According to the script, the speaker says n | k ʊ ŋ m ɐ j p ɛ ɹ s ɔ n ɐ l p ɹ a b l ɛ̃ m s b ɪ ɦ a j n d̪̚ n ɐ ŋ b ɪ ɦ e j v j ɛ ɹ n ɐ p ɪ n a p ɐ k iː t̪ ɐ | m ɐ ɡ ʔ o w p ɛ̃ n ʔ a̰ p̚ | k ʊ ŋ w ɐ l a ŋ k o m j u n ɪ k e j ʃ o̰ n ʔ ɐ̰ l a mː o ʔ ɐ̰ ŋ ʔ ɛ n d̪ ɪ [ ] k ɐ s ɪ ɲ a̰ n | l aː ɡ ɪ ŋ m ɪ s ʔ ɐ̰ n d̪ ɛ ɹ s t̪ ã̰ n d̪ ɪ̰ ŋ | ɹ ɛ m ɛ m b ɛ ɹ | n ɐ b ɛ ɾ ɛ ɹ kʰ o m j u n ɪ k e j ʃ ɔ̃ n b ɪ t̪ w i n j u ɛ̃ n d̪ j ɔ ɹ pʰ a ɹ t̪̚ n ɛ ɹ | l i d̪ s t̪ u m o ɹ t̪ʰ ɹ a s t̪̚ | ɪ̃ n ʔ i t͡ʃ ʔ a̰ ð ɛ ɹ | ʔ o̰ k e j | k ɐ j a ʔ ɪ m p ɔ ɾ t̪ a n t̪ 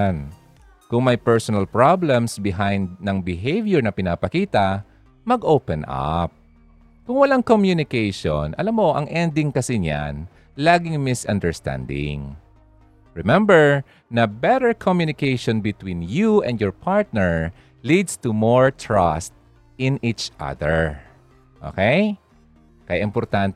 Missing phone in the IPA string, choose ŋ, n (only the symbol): ŋ